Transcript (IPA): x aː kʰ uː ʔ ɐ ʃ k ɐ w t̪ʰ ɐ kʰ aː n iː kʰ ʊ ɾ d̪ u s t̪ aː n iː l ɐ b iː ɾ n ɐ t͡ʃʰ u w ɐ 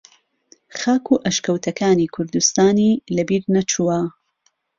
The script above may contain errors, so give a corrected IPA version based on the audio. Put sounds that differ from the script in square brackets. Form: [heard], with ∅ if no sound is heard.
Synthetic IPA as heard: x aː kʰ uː ʔ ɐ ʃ k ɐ w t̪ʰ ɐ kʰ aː n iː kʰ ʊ ɾ d̪ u s t̪ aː n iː l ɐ b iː ɾ n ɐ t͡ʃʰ u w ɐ